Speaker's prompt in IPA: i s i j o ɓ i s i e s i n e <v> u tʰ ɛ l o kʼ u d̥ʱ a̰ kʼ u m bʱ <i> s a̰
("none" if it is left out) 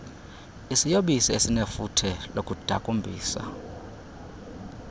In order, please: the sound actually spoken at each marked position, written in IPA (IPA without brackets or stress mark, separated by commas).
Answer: f, iː